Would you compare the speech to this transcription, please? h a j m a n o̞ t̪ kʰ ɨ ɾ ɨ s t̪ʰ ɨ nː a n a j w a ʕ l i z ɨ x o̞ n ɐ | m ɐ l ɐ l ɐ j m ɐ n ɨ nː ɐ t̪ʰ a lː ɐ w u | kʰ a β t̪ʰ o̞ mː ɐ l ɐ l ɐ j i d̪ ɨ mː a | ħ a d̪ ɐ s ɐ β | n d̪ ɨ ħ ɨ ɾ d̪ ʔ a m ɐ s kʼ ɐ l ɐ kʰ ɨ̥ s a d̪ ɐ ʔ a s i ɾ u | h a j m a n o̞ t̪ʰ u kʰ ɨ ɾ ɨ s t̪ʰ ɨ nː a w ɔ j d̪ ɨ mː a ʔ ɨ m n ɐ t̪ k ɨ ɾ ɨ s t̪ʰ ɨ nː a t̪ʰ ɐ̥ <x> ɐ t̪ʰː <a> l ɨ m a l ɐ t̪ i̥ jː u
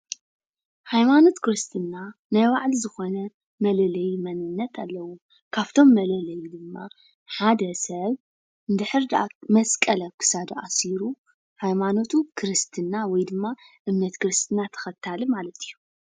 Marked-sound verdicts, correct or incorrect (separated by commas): correct, correct